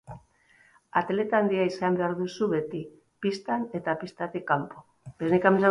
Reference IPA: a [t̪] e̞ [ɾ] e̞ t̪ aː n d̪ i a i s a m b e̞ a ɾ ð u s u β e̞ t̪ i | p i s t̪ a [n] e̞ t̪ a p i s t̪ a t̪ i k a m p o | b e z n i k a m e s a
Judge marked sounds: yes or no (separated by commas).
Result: yes, no, yes